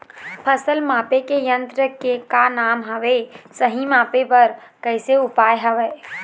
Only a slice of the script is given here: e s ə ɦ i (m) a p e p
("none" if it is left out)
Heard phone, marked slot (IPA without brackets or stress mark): m